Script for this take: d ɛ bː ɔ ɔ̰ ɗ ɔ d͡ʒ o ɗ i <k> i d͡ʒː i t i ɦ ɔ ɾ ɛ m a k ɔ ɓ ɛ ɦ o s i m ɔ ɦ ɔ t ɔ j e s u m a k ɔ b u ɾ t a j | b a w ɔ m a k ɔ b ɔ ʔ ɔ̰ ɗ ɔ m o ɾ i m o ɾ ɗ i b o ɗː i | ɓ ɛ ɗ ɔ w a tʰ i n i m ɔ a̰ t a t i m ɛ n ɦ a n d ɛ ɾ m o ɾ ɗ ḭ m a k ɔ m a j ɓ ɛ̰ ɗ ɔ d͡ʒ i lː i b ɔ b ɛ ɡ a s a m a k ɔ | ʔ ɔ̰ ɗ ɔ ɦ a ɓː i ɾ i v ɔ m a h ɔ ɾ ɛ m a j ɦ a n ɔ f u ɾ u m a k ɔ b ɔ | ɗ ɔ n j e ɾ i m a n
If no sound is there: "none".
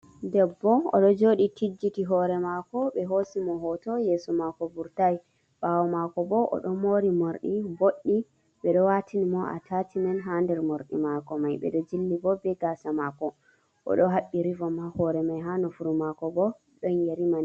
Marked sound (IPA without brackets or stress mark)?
t